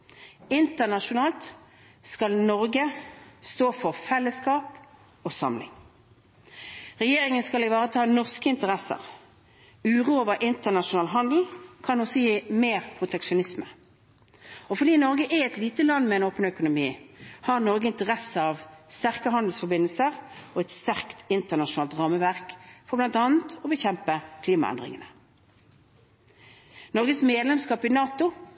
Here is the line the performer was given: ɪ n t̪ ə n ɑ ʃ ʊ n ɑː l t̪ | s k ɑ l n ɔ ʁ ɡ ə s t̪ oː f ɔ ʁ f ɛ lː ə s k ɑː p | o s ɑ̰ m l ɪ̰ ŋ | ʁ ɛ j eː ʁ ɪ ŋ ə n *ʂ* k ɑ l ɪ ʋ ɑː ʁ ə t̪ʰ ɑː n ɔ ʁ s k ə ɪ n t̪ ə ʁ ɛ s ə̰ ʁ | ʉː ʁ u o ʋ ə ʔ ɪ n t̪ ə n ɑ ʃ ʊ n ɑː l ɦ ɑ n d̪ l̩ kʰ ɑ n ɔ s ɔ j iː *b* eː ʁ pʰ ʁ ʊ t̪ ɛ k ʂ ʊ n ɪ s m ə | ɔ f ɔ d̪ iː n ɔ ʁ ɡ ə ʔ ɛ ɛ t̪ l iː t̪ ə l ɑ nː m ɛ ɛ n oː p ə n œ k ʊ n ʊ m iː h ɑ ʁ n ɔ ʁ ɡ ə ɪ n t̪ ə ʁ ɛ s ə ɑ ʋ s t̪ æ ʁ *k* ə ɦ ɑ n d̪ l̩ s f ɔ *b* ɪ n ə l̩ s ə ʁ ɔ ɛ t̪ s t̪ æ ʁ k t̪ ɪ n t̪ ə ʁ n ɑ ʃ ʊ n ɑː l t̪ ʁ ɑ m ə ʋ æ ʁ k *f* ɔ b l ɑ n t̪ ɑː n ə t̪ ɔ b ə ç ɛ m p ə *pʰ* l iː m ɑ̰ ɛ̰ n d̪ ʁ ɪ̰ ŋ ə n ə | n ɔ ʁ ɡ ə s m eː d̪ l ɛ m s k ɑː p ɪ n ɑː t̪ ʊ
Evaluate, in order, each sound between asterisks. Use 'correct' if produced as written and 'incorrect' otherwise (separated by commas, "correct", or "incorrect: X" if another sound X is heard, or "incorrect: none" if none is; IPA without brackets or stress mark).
incorrect: s, incorrect: m, correct, correct, correct, incorrect: kʰ